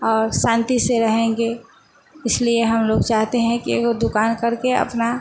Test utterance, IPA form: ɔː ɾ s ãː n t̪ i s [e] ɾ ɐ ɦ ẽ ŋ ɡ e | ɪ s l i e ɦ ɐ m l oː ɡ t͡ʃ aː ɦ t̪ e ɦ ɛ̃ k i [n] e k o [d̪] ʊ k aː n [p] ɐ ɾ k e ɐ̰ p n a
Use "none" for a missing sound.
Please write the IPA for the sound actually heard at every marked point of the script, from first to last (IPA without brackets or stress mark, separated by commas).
e, none, d̪, k